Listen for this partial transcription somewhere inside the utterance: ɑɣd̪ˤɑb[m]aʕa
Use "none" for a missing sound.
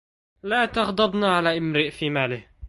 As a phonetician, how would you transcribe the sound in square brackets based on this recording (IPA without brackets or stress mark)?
n